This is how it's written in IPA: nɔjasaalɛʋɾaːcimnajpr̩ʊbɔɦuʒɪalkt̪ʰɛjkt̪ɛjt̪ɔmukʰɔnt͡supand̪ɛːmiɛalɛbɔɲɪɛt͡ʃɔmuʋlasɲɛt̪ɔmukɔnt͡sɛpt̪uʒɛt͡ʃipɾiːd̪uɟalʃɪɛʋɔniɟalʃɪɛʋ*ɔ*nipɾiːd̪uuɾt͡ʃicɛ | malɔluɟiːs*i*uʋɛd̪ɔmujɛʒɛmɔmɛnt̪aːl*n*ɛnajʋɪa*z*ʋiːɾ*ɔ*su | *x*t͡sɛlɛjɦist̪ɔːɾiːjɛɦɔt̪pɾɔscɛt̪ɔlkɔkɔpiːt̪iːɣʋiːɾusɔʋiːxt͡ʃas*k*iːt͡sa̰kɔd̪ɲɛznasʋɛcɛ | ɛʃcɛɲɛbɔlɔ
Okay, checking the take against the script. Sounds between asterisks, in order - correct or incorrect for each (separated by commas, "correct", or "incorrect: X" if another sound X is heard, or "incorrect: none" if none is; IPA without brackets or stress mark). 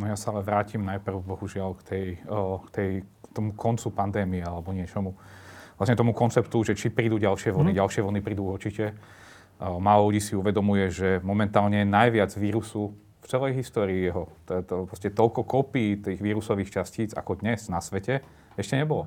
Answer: correct, correct, incorrect: ɲ, incorrect: d͡z, incorrect: u, incorrect: f, incorrect: c